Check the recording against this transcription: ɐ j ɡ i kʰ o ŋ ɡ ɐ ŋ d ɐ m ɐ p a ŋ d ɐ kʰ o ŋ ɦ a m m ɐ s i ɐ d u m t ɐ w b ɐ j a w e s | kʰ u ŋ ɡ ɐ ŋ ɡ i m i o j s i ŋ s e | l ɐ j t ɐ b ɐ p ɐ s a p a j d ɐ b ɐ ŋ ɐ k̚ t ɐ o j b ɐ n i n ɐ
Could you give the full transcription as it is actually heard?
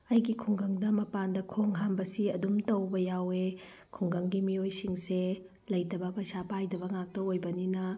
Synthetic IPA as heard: ɐ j ɡ i kʰ u ŋ ɡ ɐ ŋ d ɐ m ɐ p a n d ɐ kʰ o ŋ ɦ a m b ɐ s i ɐ d u m t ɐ w b ɐ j a w e | kʰ u ŋ ɡ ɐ ŋ ɡ i m i o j s i ŋ s e | l ɐ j t ɐ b ɐ p ɐ s a p a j d ɐ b ɐ ŋ a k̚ t ɐ o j b ɐ n i n ɐ